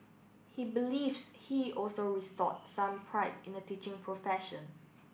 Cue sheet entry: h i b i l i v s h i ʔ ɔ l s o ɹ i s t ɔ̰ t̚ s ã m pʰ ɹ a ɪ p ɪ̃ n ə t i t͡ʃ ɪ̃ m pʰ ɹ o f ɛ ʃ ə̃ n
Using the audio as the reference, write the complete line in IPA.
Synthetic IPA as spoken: h i b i l i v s h i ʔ ɔ l s o ɹ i s t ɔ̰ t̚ s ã m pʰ ɹ a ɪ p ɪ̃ n ə t i t͡ʃ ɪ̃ ŋ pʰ ɹ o f ɛ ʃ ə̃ n